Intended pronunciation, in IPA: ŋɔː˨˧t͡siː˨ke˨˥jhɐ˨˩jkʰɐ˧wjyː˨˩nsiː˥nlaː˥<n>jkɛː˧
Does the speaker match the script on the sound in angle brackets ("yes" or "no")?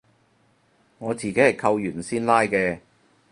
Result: no